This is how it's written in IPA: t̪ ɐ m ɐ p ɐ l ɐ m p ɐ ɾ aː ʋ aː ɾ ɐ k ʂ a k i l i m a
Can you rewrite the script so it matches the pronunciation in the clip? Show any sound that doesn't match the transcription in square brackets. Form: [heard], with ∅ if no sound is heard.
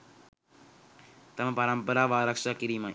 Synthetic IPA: t̪ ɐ m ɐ p ɐ [ɾ] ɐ m p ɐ ɾ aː ʋ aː ɾ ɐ k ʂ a k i [ɾ] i m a